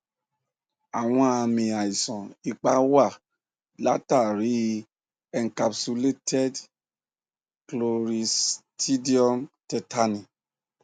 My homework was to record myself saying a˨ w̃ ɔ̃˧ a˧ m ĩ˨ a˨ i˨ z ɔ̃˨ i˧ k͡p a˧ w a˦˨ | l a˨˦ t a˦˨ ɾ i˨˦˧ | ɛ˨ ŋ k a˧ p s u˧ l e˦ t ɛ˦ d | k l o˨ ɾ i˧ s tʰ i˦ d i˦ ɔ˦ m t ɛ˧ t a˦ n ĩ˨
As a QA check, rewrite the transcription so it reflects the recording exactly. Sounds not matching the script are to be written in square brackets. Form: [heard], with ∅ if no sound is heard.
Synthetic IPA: a˨ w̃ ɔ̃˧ a˧ m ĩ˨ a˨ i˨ [s] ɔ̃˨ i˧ k͡p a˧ w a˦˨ | l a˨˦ t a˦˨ ɾ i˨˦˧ | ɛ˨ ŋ k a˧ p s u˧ l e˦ t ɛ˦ d | k l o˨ ɾ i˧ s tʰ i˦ d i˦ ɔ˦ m t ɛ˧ t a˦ n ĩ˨